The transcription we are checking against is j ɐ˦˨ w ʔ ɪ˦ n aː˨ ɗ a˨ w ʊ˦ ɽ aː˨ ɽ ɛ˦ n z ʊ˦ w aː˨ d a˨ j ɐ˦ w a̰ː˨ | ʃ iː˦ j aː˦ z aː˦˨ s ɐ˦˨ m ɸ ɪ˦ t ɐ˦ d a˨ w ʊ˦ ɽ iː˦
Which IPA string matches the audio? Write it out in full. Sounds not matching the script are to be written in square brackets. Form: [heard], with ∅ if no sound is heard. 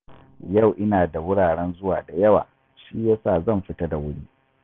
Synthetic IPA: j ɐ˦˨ w ʔ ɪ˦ n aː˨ [d] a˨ w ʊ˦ ɽ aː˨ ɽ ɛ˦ n z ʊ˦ w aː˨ d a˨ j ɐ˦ w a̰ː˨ | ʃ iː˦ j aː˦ [s] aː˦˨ [z] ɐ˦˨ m ɸ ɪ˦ t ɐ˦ d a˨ w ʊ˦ ɽ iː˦